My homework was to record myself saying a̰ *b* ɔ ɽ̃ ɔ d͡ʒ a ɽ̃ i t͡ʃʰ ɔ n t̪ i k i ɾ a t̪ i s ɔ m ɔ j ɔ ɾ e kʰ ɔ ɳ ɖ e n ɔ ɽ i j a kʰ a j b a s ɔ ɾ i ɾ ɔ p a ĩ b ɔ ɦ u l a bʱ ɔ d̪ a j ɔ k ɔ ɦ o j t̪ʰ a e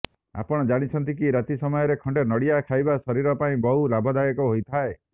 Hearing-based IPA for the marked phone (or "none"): p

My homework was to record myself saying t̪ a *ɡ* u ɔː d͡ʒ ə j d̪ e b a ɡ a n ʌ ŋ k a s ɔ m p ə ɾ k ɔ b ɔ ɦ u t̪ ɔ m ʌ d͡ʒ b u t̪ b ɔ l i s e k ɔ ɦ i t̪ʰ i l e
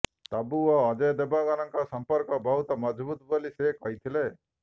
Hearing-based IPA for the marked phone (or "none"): b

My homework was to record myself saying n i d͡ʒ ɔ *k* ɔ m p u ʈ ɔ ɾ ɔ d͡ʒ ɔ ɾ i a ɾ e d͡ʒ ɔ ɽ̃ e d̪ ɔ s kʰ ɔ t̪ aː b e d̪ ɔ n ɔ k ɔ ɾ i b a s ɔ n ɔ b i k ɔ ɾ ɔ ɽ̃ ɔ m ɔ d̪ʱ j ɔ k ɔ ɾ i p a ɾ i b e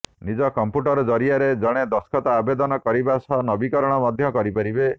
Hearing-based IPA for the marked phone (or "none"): k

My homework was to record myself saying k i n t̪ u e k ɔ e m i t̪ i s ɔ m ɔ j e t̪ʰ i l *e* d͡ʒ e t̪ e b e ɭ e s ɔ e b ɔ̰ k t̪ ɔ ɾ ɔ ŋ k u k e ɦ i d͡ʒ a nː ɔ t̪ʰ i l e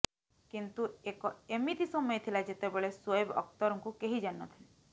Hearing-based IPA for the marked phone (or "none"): a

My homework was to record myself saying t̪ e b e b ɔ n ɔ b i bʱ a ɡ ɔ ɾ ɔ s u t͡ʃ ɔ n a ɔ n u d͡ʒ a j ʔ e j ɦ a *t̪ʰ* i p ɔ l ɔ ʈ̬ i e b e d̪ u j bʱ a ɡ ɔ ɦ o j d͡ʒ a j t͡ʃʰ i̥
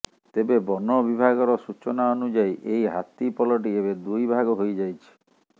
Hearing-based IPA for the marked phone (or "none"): t̪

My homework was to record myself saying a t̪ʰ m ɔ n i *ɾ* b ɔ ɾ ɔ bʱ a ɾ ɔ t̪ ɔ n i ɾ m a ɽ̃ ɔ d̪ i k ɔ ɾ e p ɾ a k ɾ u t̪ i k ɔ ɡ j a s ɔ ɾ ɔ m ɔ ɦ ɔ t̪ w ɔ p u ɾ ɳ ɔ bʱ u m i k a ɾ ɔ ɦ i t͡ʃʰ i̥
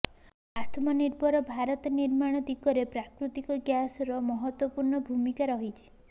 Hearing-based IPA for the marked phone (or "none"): ɾ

